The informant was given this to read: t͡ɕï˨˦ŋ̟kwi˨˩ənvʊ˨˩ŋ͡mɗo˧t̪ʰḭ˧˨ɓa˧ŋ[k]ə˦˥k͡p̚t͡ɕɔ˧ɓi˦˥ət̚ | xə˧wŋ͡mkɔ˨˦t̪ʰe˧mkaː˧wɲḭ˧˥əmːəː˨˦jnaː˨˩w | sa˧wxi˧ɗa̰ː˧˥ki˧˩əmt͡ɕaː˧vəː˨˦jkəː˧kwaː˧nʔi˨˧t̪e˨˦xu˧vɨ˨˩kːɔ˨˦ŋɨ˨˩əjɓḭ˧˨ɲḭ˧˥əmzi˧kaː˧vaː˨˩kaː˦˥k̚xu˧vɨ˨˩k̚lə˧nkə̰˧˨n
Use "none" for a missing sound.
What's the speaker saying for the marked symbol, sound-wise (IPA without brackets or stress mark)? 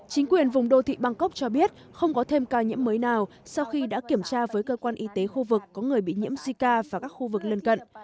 k